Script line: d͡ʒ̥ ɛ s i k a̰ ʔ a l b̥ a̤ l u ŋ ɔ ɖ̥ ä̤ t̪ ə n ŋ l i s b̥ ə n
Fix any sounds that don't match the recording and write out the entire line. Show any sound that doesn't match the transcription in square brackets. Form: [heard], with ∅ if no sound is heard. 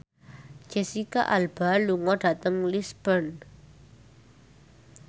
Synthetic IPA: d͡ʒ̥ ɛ s i k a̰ ʔ a l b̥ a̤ l u ŋ ɔ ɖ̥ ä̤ t̪ ə [∅] ŋ l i s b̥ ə n